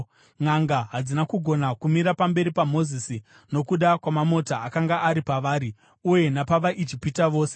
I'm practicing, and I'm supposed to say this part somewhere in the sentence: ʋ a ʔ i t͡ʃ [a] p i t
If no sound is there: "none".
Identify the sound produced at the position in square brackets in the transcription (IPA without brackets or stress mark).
i